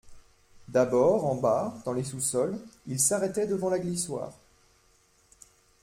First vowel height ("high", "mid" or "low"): low